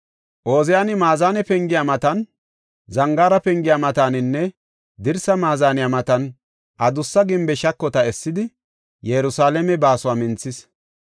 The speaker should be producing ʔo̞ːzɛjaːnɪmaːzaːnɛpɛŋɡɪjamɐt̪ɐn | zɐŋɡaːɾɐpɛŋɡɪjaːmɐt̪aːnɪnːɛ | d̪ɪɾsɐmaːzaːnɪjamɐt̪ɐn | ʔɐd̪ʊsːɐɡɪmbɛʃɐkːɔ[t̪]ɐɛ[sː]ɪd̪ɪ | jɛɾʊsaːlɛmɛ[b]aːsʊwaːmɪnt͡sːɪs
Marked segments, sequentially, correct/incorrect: correct, correct, correct

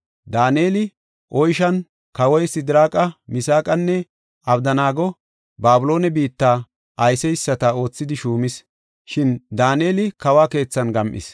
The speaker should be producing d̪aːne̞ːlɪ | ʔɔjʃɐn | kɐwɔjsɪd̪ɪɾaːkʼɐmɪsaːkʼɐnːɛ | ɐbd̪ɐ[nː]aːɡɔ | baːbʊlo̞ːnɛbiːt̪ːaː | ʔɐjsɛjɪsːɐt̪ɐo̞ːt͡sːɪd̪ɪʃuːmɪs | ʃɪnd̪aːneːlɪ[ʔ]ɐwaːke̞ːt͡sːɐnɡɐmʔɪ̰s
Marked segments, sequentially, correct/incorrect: incorrect: n, incorrect: k

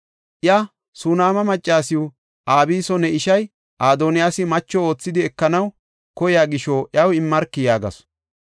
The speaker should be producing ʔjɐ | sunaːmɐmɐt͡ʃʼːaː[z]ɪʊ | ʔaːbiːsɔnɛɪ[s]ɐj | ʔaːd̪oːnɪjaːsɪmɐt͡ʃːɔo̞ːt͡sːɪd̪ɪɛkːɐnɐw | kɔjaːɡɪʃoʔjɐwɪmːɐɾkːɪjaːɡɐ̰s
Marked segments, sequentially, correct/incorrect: incorrect: s, incorrect: ʃ

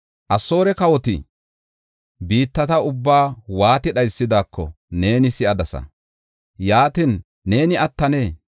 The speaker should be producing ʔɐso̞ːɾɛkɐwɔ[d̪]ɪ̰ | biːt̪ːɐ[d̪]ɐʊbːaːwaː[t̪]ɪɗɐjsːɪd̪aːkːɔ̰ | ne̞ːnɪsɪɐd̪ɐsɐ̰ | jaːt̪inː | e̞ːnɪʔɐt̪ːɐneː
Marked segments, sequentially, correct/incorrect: incorrect: t̪, incorrect: t̪, correct

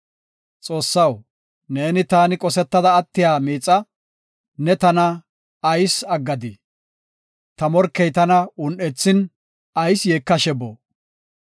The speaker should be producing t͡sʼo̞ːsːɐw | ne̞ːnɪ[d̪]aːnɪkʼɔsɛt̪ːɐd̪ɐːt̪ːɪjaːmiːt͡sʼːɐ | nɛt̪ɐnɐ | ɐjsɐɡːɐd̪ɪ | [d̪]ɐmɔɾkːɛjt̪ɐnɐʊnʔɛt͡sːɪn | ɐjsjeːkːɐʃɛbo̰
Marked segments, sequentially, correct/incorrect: incorrect: t̪, incorrect: t̪

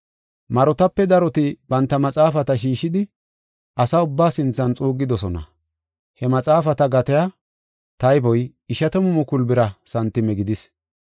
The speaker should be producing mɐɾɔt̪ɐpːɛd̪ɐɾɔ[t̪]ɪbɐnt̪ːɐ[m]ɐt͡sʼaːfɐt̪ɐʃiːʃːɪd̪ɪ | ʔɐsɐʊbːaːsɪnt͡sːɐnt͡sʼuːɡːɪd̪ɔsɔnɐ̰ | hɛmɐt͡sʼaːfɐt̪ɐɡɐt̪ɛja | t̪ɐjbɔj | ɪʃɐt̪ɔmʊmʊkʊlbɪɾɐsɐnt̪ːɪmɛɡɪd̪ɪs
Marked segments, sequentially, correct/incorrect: correct, correct

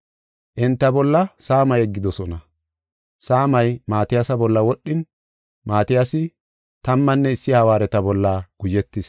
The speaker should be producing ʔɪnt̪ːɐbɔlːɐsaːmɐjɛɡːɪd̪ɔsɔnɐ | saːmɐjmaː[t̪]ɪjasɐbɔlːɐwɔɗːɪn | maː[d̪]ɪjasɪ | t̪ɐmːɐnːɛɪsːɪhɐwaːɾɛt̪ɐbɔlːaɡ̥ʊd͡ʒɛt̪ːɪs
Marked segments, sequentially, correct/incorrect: correct, incorrect: t̪

